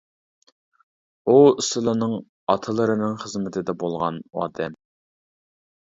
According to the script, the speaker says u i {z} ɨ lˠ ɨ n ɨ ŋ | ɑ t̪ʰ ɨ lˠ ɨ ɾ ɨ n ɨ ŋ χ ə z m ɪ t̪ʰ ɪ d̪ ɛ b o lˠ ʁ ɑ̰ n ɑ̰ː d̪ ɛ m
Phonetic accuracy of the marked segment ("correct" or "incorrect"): incorrect